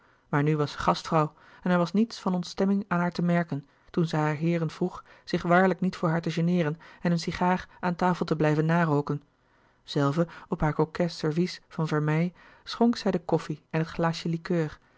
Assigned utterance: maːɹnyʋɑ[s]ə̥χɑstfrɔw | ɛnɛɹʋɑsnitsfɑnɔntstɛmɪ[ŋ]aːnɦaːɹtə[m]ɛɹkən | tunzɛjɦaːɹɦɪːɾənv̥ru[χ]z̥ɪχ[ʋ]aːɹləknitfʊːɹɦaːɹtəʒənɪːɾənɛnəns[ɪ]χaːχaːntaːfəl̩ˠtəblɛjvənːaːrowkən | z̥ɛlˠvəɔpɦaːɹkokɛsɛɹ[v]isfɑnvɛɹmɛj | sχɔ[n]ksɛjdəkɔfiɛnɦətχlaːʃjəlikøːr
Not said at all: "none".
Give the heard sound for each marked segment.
s, ŋ, m, χ, ʋ, i, v, ŋ

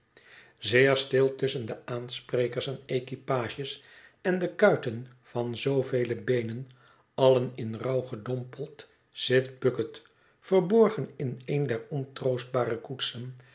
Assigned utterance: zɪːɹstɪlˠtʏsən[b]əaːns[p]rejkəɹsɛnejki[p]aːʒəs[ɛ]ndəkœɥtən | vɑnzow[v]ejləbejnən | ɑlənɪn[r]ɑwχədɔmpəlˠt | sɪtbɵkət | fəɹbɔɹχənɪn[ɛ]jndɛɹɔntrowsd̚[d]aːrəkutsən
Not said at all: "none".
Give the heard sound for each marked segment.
d, p, p, ɛ, v, r, e, b

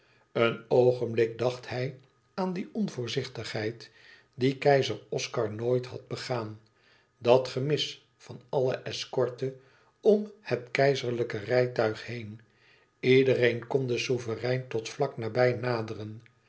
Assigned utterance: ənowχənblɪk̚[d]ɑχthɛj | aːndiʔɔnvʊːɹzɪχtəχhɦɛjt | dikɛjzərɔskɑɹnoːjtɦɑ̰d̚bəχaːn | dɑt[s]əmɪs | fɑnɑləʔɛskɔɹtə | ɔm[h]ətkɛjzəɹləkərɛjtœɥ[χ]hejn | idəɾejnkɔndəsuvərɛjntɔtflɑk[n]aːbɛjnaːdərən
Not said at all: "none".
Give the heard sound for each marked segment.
d, χ, h, χ, n

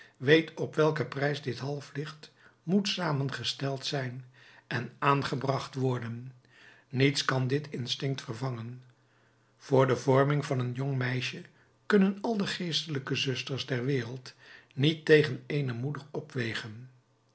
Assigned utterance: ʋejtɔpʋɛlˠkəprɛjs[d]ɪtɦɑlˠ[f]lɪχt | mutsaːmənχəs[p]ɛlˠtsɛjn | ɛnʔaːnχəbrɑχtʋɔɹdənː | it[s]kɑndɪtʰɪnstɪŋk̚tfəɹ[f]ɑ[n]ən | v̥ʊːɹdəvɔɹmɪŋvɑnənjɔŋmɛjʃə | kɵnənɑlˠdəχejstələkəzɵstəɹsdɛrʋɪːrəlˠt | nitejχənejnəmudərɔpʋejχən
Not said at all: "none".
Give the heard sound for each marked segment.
d, f, t, s, v, ŋ

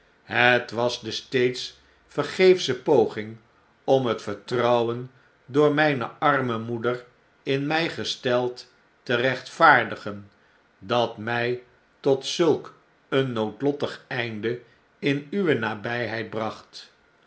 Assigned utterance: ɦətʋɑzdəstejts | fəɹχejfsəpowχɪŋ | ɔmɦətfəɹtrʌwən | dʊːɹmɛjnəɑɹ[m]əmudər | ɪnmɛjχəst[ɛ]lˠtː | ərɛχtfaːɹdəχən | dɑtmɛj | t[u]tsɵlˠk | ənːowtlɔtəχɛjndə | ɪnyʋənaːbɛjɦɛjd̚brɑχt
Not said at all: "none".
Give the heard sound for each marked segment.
m, ɛ, ɔ

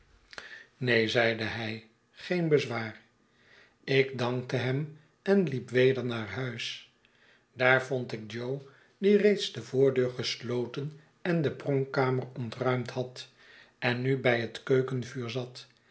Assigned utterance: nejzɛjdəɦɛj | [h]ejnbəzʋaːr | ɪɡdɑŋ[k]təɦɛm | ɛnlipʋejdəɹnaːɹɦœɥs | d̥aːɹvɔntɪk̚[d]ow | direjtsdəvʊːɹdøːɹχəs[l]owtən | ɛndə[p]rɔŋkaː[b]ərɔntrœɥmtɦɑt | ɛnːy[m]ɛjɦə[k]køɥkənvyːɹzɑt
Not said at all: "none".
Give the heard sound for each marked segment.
χ, k, d͡ʒ, l, p, m, b, t

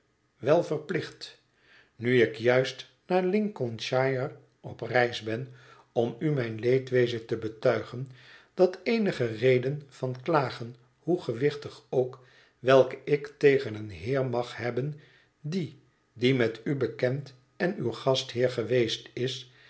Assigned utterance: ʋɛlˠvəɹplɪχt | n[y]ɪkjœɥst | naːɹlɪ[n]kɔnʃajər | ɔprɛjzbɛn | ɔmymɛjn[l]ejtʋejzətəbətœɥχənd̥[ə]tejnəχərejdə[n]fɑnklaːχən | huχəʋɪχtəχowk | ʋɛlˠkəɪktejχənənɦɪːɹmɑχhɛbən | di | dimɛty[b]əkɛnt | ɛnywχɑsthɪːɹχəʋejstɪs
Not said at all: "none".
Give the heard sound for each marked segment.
y, ŋ, l, ɑ, n, b

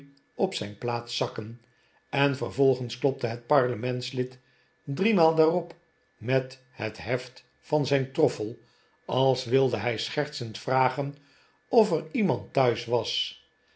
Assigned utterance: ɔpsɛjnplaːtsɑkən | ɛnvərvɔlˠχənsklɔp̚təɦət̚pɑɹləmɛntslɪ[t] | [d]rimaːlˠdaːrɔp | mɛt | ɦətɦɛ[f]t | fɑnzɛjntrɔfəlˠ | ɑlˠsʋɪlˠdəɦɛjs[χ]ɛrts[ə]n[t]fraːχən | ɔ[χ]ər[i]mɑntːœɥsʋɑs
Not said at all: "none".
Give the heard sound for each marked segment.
t, d, f, χ, ə, t, f, i

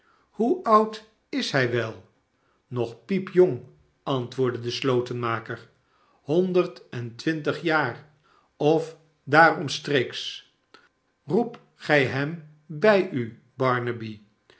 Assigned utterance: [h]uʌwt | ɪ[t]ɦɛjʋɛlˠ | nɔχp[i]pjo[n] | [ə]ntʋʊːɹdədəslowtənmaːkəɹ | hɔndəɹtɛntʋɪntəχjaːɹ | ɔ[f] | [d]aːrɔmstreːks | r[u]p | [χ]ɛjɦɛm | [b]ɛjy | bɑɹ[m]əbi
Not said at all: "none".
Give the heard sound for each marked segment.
h, s, i, ŋ, ɑ, f, d, u, χ, b, n

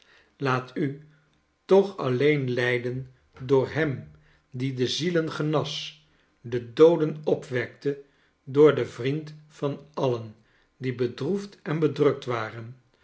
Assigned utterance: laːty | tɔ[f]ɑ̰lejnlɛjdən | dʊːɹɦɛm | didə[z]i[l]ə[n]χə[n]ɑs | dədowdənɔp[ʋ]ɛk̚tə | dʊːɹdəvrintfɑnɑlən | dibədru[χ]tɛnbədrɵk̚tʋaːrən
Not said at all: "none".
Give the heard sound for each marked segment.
χ, z, l, n, n, ʋ, f

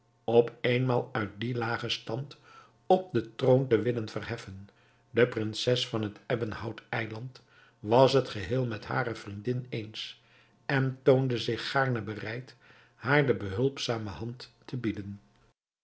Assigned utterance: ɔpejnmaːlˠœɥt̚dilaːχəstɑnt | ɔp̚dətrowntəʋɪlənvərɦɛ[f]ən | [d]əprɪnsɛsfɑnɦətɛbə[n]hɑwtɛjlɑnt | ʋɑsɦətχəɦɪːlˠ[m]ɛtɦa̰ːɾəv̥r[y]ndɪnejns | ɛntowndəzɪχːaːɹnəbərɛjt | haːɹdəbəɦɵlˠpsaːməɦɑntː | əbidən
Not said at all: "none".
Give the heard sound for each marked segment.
f, d, n, m, i

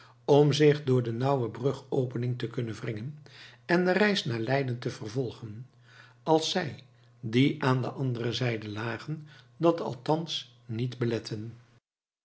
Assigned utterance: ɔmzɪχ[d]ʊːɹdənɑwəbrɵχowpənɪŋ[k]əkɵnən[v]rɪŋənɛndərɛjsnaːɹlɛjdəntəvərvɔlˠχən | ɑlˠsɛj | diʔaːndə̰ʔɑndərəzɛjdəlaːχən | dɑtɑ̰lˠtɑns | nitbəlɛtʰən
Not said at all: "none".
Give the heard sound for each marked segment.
d, t, v

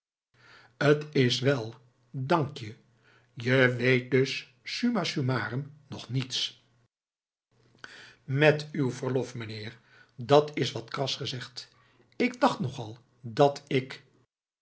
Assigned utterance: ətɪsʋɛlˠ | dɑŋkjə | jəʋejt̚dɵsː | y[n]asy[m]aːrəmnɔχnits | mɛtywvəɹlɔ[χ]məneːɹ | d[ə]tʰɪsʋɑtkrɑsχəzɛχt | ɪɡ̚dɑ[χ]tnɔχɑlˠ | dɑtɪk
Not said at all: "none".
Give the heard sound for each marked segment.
m, m, f, ɑ, χ

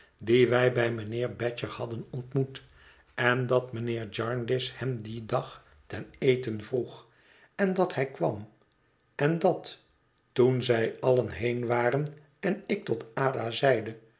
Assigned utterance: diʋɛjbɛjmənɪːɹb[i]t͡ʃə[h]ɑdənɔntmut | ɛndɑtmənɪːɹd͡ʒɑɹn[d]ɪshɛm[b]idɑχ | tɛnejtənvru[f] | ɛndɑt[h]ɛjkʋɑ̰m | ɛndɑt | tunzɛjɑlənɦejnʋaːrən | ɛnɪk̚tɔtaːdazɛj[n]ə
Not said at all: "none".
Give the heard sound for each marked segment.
ɛ, h, d, d, χ, h, d

